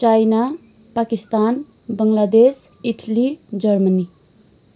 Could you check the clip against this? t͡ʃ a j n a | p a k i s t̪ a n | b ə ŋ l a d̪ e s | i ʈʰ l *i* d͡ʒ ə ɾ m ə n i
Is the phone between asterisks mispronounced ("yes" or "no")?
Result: no